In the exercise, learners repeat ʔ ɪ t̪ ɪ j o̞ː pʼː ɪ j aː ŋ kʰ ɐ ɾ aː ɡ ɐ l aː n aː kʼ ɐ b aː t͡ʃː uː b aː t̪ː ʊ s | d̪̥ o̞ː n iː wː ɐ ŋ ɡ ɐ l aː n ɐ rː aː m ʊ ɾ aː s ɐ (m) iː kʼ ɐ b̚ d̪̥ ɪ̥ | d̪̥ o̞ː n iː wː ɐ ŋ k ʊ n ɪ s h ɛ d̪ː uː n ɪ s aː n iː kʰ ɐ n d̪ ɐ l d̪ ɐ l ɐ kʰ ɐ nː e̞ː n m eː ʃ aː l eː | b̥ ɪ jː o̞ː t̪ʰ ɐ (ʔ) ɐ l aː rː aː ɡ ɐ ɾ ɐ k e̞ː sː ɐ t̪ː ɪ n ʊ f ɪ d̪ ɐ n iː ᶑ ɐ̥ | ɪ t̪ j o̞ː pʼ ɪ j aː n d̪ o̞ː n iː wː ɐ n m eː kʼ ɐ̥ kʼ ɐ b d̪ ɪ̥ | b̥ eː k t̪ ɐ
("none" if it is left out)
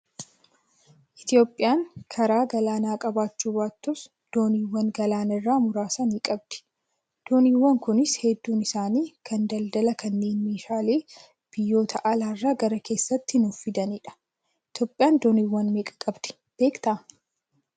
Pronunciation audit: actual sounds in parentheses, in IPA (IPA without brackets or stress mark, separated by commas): n, ʔ